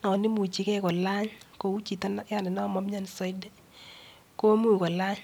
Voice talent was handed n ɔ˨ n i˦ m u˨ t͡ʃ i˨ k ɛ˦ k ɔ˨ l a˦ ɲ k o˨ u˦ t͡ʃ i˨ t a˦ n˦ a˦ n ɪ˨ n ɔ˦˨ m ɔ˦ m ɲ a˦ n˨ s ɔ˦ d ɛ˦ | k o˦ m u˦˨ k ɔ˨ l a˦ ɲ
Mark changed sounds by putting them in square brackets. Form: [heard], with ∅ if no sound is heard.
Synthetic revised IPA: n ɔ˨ n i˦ m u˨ t͡ʃ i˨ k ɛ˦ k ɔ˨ l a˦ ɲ k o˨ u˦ t͡ʃ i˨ t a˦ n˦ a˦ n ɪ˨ n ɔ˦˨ m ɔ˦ m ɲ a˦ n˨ s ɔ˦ d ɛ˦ | k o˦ m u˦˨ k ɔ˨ l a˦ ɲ